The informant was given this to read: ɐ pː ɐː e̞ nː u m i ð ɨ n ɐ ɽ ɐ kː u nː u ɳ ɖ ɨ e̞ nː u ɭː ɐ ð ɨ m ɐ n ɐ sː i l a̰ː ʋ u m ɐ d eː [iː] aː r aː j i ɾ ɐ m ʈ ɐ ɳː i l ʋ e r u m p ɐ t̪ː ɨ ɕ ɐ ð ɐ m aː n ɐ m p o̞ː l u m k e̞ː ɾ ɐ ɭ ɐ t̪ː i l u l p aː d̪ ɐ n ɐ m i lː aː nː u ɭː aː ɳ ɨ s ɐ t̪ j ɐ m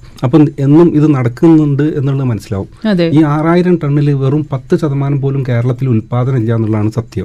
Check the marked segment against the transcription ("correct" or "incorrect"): correct